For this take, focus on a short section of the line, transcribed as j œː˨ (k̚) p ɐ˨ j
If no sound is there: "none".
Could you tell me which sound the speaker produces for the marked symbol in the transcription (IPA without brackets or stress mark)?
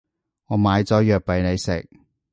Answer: k̚